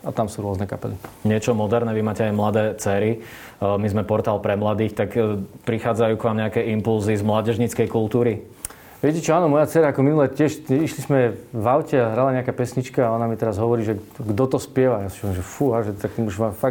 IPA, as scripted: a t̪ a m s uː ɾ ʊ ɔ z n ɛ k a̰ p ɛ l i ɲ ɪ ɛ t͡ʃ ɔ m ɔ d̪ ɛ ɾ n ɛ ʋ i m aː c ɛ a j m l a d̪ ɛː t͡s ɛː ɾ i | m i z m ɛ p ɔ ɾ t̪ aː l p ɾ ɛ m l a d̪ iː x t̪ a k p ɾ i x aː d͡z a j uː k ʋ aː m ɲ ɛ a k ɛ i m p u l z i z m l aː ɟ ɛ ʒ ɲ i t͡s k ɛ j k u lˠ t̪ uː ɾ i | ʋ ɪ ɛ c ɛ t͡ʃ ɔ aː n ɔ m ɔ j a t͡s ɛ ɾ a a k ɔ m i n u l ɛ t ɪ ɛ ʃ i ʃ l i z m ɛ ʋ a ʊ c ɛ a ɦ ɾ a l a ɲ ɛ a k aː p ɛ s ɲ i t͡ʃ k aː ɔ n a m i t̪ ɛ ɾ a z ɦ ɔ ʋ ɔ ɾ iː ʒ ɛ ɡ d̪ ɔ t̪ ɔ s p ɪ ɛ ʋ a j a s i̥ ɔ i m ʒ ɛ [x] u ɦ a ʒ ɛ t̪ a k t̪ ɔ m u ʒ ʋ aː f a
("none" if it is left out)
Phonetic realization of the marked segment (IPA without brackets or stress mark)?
f